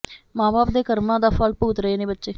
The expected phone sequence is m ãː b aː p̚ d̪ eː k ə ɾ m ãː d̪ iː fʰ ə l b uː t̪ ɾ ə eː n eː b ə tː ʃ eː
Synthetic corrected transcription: m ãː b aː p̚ d̪ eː k ə ɾ m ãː d̪ aː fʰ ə l p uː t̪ ɾ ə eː n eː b ə tː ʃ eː